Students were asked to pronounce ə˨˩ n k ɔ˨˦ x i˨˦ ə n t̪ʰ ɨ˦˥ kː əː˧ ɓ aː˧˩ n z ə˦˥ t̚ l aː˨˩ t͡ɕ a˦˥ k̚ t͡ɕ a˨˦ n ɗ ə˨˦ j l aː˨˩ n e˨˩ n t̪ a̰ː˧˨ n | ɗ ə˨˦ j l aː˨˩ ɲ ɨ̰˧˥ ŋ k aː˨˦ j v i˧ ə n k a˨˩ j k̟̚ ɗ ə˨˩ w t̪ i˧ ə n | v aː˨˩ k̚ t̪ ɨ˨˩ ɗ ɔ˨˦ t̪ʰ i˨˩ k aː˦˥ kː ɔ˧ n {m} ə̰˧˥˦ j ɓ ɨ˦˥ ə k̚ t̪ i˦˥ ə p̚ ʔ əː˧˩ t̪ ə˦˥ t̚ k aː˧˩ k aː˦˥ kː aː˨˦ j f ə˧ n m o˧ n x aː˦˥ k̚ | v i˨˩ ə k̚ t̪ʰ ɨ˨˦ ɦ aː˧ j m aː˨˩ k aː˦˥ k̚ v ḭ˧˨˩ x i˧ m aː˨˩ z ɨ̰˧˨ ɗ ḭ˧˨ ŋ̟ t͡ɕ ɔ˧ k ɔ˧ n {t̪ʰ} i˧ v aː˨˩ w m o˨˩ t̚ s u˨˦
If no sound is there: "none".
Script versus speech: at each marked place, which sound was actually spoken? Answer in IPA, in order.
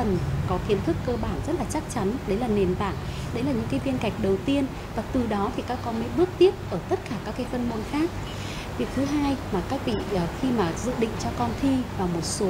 m, t̪ʰ

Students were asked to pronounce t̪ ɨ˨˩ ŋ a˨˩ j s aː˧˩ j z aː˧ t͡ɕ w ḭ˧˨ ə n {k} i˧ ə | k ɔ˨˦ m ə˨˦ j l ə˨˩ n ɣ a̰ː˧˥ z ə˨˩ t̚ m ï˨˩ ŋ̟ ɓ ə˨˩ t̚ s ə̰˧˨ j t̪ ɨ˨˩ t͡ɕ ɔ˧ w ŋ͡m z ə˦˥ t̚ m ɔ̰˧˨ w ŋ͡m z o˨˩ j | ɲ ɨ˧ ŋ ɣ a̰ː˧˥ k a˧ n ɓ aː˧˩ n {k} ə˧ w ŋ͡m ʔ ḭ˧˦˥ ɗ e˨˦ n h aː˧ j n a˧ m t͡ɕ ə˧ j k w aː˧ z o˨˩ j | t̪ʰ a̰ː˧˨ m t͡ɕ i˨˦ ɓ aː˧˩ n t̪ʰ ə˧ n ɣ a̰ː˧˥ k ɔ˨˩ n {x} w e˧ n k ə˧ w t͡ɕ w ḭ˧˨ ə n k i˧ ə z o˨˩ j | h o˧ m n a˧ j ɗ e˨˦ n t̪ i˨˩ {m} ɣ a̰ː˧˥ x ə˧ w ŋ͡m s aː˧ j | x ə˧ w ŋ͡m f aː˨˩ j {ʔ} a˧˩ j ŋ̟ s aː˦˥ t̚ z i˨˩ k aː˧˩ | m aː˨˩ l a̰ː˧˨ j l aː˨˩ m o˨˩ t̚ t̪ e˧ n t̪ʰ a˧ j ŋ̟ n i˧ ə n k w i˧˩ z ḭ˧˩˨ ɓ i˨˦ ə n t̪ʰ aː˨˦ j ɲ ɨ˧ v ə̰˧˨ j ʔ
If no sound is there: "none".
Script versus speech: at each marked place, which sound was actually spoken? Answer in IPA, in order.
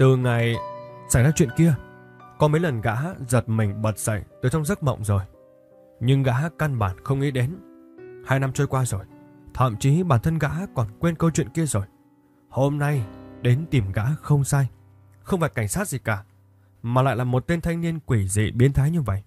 k, x, k, m, k

